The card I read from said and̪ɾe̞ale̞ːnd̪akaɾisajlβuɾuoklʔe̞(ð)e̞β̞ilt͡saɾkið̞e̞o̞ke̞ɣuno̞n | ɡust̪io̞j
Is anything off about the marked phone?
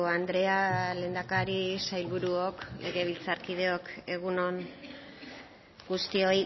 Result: yes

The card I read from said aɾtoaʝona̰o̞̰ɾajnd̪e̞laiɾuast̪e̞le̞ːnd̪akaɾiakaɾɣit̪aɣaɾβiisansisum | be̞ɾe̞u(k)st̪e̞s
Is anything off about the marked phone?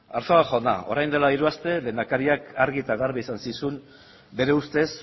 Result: yes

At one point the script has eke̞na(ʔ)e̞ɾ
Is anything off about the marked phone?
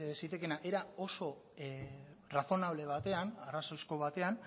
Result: no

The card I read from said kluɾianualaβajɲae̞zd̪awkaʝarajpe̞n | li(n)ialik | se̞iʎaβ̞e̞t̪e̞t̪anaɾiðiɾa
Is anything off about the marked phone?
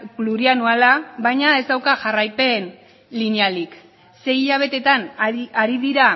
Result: no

